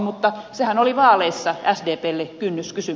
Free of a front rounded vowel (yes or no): no